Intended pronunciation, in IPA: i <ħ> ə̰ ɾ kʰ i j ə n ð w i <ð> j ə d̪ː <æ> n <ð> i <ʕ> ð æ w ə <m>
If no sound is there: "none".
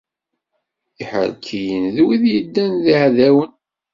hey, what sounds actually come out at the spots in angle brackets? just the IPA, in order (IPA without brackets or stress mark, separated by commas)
ħ, ð, æ, ð, ʕ, n